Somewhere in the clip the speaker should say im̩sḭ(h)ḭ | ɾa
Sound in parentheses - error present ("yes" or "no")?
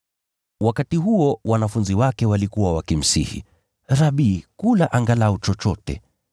no